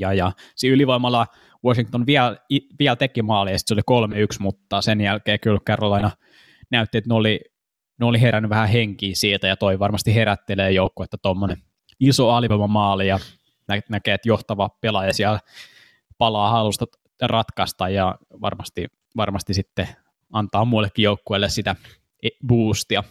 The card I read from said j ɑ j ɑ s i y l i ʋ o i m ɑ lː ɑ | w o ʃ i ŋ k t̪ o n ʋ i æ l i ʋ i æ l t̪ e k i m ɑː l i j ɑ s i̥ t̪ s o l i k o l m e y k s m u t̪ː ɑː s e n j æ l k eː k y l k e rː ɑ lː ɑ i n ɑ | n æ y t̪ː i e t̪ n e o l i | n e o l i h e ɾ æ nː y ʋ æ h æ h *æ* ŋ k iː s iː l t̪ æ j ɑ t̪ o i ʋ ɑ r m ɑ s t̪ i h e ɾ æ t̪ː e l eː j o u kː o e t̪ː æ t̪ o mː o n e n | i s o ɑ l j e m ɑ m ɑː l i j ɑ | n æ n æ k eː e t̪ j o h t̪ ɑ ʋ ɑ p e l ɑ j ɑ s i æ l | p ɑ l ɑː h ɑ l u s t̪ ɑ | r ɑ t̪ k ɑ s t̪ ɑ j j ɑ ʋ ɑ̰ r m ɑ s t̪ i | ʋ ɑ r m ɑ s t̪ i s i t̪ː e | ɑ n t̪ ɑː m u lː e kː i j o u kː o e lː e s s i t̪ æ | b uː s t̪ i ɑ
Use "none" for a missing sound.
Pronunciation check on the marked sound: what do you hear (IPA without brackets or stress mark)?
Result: e